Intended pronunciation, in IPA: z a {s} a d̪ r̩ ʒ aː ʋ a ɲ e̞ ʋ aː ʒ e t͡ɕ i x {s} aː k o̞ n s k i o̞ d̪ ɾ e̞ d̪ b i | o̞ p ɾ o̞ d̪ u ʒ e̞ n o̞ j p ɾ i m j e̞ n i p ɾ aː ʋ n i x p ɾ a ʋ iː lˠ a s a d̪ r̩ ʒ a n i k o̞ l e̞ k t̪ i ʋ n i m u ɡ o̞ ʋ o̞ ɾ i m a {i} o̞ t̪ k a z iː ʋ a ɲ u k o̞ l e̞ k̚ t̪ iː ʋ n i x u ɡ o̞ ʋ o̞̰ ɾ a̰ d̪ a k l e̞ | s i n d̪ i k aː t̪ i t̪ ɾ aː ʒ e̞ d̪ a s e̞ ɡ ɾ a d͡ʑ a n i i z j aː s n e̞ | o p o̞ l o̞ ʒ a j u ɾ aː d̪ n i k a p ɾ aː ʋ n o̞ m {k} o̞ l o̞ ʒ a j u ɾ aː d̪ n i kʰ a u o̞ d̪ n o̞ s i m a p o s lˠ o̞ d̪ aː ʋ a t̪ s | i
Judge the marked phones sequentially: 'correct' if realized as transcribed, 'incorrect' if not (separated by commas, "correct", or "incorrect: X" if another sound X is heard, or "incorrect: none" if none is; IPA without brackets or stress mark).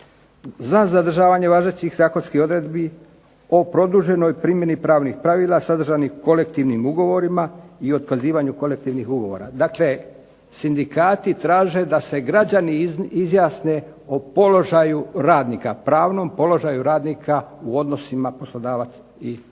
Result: incorrect: z, incorrect: z, correct, incorrect: p